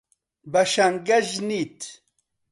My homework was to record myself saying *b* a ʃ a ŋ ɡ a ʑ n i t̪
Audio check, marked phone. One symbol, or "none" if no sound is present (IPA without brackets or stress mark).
b